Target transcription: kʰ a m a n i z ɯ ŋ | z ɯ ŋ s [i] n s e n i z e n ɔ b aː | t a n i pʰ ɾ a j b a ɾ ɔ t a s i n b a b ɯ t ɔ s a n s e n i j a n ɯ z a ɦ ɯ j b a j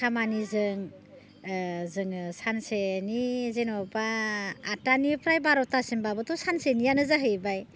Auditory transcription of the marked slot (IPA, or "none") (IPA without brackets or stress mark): a